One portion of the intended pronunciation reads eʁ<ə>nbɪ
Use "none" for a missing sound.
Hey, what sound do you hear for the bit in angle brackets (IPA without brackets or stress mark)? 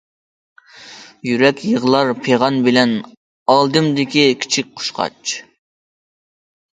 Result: ɑ